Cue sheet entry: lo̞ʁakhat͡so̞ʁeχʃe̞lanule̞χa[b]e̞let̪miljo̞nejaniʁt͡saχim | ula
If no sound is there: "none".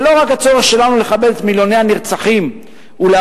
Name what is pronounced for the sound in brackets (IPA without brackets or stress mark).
b